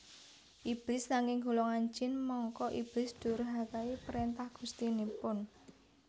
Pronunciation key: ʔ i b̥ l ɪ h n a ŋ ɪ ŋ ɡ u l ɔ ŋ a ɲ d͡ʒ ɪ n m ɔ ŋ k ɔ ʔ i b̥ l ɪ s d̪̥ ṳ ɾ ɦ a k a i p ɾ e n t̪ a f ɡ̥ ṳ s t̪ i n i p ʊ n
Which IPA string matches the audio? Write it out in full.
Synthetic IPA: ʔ i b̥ l ɪ s n a ŋ ɪ ŋ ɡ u l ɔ ŋ a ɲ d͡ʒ ɪ n m ɔ ŋ k ɔ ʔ i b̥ l ɪ s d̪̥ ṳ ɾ ɦ a k a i p ɾ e n t̪ a h ɡ̥ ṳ s t̪ i n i p ʊ n